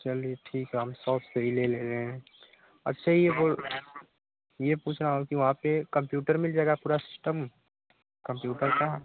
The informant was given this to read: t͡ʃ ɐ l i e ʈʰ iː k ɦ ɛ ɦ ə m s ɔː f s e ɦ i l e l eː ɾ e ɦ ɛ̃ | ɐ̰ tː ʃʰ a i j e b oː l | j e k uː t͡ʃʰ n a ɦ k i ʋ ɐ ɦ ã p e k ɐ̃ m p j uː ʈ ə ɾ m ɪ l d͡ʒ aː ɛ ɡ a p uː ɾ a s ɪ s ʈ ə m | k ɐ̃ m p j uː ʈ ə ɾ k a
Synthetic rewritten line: t͡ʃ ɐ l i e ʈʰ iː k ɦ ɛ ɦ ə m s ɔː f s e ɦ i l e l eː ɾ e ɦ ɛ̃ | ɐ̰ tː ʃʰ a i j e b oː l | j e p uː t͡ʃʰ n a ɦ k i ʋ ɐ ɦ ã p e k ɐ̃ m p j uː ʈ ə ɾ m ɪ l d͡ʒ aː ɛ ɡ a p uː ɾ a s ɪ s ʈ ə m | k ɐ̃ m p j uː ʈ ə ɾ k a